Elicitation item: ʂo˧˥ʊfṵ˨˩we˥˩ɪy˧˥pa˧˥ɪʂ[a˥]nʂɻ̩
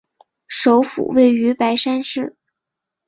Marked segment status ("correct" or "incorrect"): correct